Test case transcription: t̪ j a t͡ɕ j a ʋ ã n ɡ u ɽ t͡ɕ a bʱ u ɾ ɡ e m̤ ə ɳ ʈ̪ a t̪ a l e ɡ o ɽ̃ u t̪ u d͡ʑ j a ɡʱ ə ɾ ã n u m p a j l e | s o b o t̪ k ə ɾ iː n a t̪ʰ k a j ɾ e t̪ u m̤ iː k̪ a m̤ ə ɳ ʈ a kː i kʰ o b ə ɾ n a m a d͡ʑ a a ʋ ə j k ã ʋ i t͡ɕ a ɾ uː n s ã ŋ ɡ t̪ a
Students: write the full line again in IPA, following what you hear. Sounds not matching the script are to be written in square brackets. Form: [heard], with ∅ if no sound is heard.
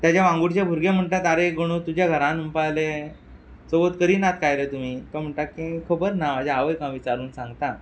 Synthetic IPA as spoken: t̪ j a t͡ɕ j a ʋ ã [ŋ] ɡ u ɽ t͡ɕ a bʱ u ɾ ɡ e m̤ ə ɳ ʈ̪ a t̪ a [ɾ] e ɡ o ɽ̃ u t̪ u d͡ʑ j a ɡʱ ə ɾ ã n u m p a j l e | s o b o t̪ k ə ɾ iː n a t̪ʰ k a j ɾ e t̪ u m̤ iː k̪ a m̤ ə ɳ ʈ a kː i kʰ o b ə ɾ n a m a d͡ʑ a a ʋ ə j k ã ʋ i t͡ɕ a ɾ uː n s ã ŋ ɡ t̪ a